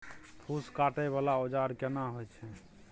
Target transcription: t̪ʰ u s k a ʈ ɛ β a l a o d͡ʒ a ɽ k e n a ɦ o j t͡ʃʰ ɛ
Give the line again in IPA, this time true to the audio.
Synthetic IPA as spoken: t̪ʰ u s k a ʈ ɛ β a l a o d͡ʒ a ɾ k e n a ɦ o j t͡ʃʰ ɛ